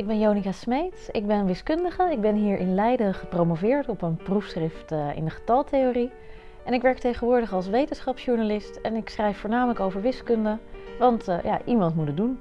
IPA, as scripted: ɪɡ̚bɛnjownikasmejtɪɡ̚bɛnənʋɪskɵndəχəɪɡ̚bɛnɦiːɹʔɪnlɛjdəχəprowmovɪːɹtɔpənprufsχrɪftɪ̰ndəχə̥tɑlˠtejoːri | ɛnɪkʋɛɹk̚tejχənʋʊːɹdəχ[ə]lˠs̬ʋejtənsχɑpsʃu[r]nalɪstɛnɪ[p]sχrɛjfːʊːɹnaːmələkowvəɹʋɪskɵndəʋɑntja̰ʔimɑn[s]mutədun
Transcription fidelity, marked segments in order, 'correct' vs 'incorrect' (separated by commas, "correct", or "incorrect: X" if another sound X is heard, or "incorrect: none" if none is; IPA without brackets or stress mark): incorrect: ɑ, incorrect: ɹ, incorrect: k, incorrect: t